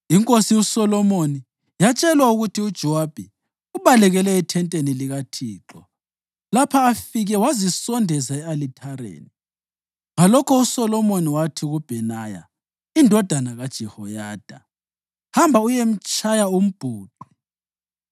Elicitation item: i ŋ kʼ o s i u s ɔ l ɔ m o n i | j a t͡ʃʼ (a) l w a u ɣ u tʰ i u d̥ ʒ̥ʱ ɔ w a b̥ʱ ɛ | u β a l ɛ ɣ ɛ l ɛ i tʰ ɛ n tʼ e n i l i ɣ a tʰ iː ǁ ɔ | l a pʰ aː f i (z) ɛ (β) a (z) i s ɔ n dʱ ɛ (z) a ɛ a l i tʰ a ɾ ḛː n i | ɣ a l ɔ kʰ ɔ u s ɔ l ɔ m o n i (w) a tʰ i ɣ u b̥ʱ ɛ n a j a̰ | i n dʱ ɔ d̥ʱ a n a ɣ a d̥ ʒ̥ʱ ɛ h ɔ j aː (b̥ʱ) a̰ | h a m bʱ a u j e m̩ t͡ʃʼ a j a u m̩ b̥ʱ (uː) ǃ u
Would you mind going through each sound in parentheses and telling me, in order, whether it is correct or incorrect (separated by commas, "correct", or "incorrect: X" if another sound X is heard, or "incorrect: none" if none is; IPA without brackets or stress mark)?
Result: incorrect: ɛ, incorrect: ɣ, incorrect: w, correct, correct, correct, incorrect: d̥ʱ, correct